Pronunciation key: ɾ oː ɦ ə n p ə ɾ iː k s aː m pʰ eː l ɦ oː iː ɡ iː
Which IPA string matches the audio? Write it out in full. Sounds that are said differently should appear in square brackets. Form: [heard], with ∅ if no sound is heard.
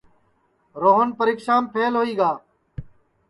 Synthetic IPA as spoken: ɾ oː ɦ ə n p ə ɾ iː k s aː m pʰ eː l ɦ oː iː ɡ [aː]